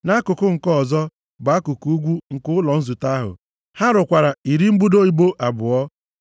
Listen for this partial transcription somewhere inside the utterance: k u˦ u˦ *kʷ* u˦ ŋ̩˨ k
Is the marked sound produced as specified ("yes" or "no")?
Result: no